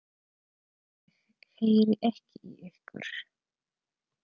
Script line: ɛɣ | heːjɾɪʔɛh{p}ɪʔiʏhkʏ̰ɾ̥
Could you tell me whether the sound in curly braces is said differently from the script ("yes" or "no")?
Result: yes